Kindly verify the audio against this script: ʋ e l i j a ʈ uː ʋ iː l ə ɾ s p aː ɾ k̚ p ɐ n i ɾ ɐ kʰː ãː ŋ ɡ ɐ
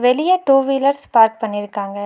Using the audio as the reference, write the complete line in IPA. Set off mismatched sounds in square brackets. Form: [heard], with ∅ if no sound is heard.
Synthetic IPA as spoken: ʋ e l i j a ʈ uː ʋ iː l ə ɾ s p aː ɾ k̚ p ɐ n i ɾ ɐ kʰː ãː ŋ ɡ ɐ